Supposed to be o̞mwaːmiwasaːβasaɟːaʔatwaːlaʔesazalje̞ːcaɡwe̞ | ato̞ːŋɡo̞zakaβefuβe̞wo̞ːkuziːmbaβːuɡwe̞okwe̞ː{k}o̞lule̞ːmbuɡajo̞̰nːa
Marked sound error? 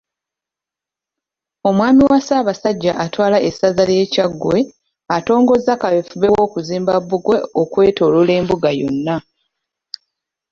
yes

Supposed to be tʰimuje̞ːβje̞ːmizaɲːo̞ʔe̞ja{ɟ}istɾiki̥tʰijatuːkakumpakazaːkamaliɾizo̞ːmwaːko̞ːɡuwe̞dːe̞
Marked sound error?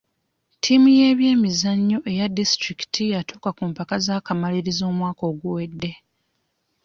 yes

